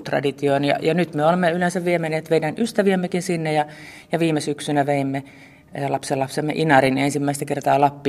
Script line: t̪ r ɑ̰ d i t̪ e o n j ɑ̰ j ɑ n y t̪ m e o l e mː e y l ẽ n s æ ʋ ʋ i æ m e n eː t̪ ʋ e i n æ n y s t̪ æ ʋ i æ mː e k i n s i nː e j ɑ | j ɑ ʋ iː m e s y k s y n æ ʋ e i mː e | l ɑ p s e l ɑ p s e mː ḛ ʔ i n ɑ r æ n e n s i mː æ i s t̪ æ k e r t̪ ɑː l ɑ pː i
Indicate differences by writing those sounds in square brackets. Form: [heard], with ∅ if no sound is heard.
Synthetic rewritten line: t̪ r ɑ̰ d i t̪ [i] o n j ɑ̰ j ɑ n y t̪ m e o l e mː e y l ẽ n s æ ʋ ʋ i [e] m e n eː t̪ ʋ e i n æ n y s t̪ æ ʋ i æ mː e k i n s i nː e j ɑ | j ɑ ʋ iː m e s y k s y n æ ʋ e i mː e | l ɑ p s e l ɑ p s e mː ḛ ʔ i n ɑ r [i] n e n s i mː æ i s t̪ æ k e r t̪ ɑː l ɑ pː i